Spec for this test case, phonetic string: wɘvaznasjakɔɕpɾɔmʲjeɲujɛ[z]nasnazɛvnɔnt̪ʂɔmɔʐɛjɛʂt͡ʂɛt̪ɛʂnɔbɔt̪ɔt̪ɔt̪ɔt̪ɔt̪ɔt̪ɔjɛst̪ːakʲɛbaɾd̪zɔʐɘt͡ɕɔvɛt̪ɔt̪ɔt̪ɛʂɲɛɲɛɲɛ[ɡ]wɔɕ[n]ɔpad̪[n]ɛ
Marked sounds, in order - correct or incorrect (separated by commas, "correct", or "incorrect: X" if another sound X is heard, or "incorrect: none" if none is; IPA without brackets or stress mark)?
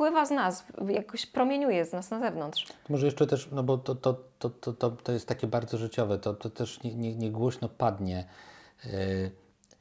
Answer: correct, correct, correct, incorrect: ɲ